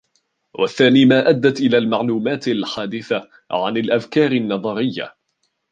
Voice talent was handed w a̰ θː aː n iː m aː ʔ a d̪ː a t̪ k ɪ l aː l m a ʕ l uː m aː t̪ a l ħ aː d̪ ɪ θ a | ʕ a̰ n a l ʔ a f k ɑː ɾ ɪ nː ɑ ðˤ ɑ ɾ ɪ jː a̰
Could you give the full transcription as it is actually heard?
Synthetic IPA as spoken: w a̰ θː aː n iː m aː ʔ a d̪ː a t̪ ʔ ɪ l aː l m a ʕ l uː m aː t̪ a l ħ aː d̪ ɪ θ a | ʕ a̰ n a l ʔ a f k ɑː ɾ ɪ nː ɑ ðˤ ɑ ɾ ɪ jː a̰